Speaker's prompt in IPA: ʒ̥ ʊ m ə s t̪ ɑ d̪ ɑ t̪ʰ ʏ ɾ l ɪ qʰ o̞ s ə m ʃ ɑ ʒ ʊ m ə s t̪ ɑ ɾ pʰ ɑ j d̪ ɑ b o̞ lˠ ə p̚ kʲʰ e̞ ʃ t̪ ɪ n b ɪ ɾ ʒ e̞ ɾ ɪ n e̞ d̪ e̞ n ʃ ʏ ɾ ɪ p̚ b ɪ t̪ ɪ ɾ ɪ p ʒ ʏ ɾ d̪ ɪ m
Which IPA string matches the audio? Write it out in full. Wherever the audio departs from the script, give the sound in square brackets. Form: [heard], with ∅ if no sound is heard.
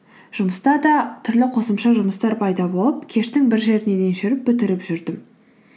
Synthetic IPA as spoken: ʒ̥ ʊ m ə s t̪ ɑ d̪ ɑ t̪ʰ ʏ ɾ l ɪ qʰ o̞ s ə m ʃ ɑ ʒ ʊ m ə s t̪ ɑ ɾ pʰ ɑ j d̪ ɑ b o̞ lˠ ə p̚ kʲʰ e̞ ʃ t̪ ɪ [ŋ] b ɪ ɾ ʒ e̞ ɾ ɪ n e̞ d̪ e̞ n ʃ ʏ ɾ ɪ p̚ b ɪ t̪ ɪ ɾ ɪ p ʒ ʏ ɾ d̪ ɪ m